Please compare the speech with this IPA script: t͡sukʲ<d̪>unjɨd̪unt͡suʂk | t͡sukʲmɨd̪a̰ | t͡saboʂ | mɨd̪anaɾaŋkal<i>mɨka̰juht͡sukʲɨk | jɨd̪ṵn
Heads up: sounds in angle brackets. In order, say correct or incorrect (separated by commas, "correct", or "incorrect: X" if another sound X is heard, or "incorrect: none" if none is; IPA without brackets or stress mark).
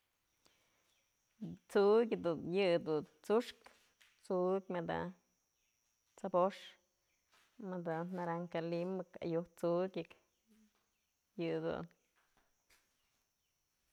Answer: correct, correct